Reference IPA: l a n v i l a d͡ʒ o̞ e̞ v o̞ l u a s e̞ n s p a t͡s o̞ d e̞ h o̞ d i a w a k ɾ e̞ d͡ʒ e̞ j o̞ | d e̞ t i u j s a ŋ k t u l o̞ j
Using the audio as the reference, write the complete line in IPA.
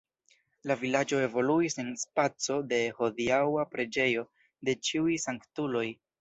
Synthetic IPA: l a v i l a d͡ʒ o̞ e̞ v o̞ l u i s e̞ n s p a t͡s o̞ d e̞ h o̞ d i a w a p ɾ e̞ d͡ʒ e̞ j o̞ | d e̞ t͡ʃ i u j s a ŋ k t u l o̞ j